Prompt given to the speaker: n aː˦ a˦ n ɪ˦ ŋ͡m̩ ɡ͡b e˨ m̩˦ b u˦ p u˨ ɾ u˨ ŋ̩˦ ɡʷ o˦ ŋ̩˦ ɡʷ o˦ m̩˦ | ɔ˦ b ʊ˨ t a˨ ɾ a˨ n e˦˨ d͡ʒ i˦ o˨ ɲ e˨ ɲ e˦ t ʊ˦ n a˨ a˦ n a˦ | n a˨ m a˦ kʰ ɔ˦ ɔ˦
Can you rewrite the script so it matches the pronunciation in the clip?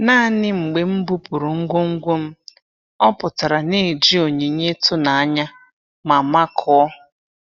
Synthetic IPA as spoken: n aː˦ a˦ n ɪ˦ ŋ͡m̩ ɡ͡b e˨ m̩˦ b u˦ p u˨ ɾ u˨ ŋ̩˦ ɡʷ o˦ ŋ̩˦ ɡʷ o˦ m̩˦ | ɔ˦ p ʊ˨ t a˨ ɾ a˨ n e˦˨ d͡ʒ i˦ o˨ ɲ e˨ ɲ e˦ t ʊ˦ n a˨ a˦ ɲ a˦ | m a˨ m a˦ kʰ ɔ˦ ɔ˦